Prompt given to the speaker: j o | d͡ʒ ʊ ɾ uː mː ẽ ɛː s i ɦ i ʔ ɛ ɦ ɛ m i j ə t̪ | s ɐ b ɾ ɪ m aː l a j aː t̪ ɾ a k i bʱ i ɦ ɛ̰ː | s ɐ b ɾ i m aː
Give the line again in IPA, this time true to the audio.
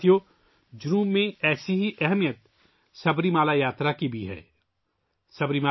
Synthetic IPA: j o | d͡ʒ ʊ ɾ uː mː ẽ ɛː s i ɦ i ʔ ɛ ɦ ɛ m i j ə t̪ | s ɐ b ɾ i m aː l a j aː t̪ ɾ a k i bʱ i ɦ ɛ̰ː | s ɐ b ɾ i m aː